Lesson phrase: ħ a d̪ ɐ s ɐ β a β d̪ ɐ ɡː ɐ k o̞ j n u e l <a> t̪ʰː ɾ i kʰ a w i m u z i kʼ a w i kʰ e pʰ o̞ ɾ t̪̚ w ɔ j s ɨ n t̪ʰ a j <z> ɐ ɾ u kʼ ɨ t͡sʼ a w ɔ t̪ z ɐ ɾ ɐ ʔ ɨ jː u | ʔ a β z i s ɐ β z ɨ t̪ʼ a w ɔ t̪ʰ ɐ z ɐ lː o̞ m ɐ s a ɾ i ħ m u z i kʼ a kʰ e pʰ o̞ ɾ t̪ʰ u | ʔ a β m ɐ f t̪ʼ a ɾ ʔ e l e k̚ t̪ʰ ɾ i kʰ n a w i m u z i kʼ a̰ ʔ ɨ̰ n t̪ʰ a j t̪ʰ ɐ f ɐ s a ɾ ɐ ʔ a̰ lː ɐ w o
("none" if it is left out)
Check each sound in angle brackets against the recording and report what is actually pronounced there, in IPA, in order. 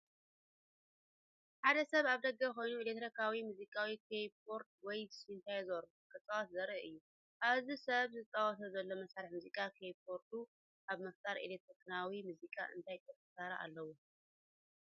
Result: e, z

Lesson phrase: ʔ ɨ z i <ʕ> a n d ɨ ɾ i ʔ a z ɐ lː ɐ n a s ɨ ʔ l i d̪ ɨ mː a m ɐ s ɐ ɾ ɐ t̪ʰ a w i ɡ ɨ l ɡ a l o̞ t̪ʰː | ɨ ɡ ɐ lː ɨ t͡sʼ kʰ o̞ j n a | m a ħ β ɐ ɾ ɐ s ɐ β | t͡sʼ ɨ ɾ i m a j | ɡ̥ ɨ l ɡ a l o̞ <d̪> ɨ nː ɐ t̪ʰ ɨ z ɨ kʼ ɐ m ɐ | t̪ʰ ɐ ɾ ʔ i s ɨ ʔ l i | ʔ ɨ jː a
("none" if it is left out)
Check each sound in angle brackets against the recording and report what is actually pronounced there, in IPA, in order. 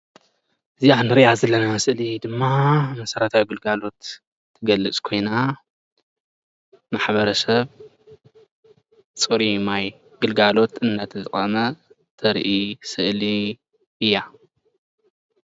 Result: ʕ, t̪

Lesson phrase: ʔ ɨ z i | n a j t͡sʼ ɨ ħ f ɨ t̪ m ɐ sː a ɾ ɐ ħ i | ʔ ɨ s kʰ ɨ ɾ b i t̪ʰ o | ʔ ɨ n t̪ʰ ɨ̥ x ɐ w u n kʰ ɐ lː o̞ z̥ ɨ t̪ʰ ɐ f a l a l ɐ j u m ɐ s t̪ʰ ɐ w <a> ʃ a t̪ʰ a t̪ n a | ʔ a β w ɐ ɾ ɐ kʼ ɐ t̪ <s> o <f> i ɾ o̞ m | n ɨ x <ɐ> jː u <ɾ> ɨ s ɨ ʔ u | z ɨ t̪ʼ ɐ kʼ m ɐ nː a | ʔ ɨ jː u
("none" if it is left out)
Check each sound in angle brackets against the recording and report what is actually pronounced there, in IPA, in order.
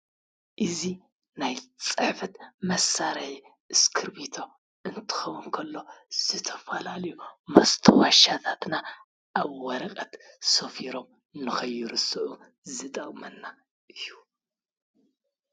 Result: a, s, f, ɐ, ɾ

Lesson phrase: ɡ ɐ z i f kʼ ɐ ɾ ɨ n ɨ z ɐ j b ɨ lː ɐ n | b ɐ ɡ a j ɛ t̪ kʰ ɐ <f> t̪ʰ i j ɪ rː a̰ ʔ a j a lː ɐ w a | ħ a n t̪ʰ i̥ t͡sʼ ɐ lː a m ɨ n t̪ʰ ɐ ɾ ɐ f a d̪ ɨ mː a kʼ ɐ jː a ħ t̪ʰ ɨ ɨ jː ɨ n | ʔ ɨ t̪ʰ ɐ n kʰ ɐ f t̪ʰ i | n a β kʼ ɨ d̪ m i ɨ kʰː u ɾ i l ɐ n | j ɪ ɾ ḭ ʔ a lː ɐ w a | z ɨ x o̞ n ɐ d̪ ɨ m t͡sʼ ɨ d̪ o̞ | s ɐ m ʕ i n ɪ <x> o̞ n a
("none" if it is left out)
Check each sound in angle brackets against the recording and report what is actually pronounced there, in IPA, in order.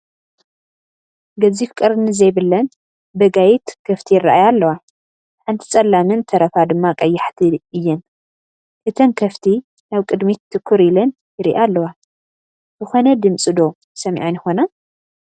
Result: f, x

